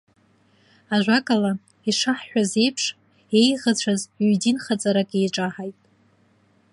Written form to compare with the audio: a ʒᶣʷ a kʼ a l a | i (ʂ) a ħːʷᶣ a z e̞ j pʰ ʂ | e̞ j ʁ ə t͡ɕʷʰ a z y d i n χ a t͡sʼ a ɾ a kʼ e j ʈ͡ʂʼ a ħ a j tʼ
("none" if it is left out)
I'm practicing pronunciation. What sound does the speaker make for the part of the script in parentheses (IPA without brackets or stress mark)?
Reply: ʂ